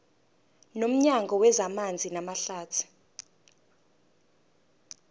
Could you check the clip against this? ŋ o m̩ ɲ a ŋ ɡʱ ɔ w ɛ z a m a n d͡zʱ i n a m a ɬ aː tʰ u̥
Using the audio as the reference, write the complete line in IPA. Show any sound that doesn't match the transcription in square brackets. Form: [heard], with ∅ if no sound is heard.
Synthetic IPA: [n] o m̩ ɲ a ŋ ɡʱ ɔ w ɛ z a m a n d͡zʱ i n a m a ɬ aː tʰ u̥